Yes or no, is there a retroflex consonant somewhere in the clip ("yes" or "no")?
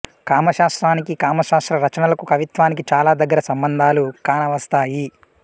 no